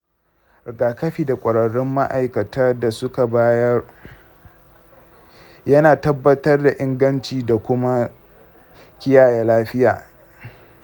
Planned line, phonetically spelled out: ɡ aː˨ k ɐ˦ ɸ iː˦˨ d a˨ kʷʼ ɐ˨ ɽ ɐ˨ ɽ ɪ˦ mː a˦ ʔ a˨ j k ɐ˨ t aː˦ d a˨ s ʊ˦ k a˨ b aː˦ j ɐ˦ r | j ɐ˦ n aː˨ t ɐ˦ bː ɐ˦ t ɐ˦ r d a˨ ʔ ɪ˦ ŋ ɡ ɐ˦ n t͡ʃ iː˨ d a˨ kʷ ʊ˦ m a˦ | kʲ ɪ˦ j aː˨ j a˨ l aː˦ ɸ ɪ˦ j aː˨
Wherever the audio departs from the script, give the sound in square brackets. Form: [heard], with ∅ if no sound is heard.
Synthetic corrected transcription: ɡ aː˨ k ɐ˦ ɸ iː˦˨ d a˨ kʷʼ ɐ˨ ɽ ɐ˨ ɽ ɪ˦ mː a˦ ʔ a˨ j k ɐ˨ t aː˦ d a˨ s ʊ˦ k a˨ b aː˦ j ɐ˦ r | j ɐ˦ n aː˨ t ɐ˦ bː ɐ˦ t ɐ˦ r d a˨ ʔ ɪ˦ ŋ ɡ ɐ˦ n t͡ʃ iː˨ d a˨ kʷ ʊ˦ m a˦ | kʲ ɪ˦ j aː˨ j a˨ l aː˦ ɸ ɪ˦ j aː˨